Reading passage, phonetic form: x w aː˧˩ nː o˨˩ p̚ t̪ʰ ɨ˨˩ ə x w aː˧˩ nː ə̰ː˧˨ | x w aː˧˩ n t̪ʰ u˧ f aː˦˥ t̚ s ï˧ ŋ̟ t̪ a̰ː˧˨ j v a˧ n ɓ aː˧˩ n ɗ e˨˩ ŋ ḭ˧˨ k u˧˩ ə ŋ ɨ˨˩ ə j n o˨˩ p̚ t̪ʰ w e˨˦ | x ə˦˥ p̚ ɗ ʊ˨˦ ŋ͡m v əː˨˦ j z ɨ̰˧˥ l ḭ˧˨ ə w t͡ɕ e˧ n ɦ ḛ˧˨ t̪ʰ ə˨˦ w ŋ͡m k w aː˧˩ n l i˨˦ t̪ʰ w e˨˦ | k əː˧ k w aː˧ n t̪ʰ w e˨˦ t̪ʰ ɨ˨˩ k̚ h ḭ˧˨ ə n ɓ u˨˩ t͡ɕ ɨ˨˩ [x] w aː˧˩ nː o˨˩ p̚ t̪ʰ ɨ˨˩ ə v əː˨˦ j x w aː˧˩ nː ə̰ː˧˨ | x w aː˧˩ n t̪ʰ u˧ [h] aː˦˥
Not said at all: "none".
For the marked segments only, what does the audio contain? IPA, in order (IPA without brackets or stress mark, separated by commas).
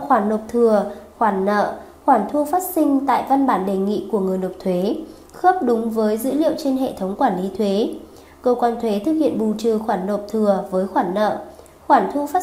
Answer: x, f